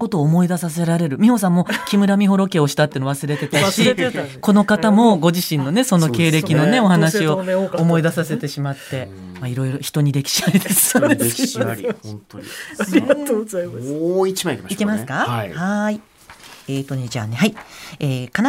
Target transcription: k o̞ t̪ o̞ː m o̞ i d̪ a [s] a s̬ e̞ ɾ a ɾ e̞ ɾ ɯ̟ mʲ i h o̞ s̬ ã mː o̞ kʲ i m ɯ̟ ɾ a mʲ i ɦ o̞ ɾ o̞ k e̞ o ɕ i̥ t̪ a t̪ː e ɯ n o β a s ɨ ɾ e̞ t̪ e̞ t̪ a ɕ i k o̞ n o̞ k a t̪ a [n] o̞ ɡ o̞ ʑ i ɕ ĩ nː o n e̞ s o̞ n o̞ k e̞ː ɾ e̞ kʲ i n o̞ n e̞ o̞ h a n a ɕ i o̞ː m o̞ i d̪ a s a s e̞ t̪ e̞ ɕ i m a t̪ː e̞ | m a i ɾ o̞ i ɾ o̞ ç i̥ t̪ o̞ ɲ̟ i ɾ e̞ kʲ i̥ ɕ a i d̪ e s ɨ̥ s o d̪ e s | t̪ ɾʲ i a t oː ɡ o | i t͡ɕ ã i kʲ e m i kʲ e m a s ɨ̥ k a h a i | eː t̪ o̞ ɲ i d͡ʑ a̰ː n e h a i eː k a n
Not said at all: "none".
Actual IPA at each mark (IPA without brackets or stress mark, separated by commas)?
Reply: s, m